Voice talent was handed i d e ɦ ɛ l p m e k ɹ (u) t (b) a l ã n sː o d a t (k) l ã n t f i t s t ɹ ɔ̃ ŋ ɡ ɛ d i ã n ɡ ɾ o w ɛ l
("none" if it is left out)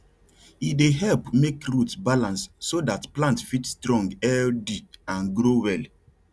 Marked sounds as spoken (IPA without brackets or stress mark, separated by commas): u, b, p